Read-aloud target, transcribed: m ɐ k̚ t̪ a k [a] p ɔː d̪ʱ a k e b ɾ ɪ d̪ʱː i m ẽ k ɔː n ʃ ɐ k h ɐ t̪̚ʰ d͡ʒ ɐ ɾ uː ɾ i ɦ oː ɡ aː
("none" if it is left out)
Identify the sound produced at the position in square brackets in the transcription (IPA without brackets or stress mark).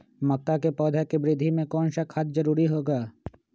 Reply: e